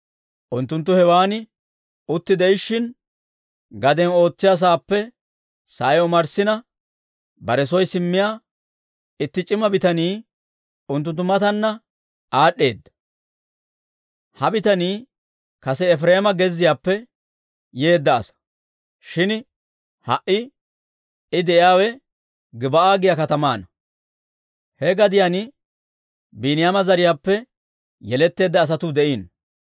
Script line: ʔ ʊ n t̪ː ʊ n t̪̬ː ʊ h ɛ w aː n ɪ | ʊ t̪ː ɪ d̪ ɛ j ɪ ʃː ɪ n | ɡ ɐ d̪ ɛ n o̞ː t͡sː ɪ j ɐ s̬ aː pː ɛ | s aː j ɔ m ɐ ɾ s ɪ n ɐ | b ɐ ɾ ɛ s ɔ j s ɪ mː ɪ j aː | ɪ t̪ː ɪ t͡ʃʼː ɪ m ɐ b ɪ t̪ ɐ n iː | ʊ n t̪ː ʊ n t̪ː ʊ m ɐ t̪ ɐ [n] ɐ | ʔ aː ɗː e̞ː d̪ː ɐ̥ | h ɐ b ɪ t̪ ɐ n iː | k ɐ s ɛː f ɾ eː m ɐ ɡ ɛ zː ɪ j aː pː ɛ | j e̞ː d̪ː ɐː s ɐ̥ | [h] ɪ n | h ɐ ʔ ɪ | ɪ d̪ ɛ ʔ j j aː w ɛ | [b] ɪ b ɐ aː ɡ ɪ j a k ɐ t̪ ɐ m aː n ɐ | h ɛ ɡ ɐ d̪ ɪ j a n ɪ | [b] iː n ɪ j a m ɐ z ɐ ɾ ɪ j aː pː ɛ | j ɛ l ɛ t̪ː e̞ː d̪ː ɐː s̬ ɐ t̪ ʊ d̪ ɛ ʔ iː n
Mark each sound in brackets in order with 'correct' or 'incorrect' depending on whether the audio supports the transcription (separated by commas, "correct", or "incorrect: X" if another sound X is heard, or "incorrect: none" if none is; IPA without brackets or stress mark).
incorrect: nː, incorrect: ʃ, incorrect: ɡ, correct